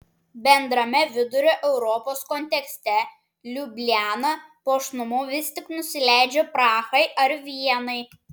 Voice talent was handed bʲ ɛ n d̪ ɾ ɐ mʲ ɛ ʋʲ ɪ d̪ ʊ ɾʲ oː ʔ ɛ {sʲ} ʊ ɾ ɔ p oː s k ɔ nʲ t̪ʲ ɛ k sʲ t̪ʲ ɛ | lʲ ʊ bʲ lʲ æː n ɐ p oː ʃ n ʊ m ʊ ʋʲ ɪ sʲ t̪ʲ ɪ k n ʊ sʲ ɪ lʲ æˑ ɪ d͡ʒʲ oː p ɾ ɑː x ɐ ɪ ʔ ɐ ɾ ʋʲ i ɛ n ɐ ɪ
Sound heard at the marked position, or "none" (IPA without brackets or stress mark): none